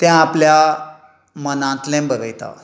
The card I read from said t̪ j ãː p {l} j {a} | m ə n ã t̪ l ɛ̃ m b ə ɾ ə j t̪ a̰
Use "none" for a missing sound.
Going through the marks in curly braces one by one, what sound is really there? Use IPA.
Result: l, a

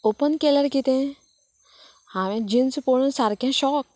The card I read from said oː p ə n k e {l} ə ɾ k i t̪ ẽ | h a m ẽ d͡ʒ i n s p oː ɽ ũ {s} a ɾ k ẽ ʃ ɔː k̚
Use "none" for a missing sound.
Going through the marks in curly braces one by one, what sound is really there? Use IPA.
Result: l, s

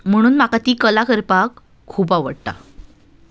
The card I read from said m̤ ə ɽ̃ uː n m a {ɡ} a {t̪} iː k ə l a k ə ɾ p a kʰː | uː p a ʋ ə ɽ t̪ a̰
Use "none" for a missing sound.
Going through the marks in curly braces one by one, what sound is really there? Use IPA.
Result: k, t̪

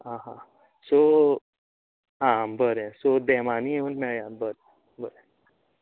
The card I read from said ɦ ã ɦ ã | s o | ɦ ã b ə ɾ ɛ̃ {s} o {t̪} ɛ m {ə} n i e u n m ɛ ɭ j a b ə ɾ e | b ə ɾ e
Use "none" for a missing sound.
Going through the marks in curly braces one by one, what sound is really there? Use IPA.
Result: s, d̪, a

